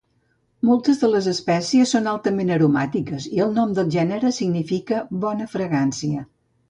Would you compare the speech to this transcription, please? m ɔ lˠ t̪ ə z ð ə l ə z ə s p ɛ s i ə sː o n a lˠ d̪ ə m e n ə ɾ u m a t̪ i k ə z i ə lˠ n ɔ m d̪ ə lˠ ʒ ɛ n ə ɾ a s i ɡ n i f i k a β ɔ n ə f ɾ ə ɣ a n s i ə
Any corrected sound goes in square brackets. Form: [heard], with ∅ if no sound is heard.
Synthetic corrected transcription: m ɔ lˠ t̪ ə z ð ə l ə z ə s p ɛ s i ə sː o n a lˠ [t̪] ə m e n ə ɾ u m a t̪ i k ə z i ə lˠ n ɔ m d̪ ə lˠ ʒ ɛ n ə ɾ [ə] s i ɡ n i f i k [ə] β ɔ n ə f ɾ ə ɣ a n s i ə